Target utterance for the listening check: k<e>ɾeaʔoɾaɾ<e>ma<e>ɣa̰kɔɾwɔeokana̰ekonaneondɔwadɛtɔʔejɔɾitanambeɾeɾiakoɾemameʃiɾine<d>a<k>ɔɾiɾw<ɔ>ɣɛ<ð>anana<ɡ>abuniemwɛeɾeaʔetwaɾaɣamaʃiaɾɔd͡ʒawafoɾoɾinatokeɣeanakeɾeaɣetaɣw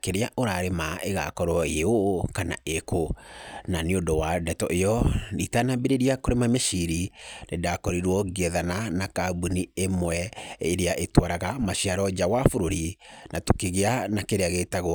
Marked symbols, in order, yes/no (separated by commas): yes, yes, yes, yes, yes, yes, yes, no